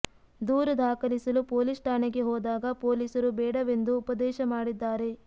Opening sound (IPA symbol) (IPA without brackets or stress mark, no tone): d̪